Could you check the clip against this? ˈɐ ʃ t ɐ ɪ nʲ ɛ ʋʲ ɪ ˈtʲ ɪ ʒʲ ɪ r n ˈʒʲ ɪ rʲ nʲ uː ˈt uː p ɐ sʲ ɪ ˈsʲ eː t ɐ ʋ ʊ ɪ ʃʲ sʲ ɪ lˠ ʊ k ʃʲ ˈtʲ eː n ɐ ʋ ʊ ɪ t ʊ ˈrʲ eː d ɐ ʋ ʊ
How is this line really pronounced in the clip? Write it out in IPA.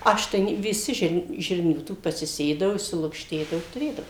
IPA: ˈɐ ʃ t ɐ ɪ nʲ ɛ ʋʲ ɪ ˈsʲ ɪ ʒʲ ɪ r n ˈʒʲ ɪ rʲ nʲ uː ˈt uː p ɐ sʲ ɪ ˈsʲ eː d ɐ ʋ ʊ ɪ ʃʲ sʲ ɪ lˠ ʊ k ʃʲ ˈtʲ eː d ɐ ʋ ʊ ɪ t ʊ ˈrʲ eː d ɐ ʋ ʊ

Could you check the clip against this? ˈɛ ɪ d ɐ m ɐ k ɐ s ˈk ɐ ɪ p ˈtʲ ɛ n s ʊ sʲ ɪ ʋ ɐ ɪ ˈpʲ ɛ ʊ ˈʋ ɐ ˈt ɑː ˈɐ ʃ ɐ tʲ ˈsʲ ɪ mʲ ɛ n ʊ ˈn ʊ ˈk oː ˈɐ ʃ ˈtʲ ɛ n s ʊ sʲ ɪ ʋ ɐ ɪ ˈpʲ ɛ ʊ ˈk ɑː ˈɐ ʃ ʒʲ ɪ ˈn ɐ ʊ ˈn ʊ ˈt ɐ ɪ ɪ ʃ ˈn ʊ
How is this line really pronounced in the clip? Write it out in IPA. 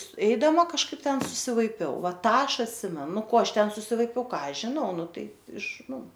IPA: ˈɛ ɪ d ɐ m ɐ k ɐ ʃ ˈk ɐ ɪ p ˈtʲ ɛ n s ʊ sʲ ɪ ʋ ɐ ɪ ˈpʲ ɛ ʊ ˈʋ ɐ ˈt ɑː ˈɐ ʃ ɐ tʲ ˈsʲ ɪ mʲ ɛ n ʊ ˈn ʊ ˈk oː ˈɐ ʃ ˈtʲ ɛ n s ʊ sʲ ɪ ʋ ɐ ɪ ˈpʲ ɛ ʊ ˈk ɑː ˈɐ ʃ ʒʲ ɪ ˈn ɐ ʊ ˈn ʊ ˈt ɐ ɪ ɪ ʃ ˈn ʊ

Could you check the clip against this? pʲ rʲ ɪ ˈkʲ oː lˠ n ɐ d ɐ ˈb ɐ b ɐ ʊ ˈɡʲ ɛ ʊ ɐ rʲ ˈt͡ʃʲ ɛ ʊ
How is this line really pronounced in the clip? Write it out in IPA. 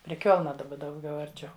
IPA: pʲ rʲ ɪ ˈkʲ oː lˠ n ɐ d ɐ ˈb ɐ d ɐ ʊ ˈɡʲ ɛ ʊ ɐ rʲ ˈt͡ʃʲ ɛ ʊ

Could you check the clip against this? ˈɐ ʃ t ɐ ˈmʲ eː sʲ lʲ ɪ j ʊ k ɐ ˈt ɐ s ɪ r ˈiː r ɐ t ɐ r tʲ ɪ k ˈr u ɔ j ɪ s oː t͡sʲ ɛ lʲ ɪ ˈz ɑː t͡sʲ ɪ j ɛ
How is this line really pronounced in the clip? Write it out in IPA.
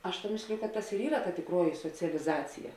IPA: ˈɐ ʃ t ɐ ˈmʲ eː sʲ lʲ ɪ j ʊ k ɐ ˈt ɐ s ɪ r ˈiː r ɐ t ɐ tʲ ɪ k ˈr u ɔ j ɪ s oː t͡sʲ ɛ lʲ ɪ ˈz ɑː t͡sʲ ɪ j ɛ

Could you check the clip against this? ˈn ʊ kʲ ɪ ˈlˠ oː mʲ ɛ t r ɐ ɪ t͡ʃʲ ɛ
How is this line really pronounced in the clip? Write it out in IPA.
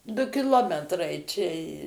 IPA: ˈd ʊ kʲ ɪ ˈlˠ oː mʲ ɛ t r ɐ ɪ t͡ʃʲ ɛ

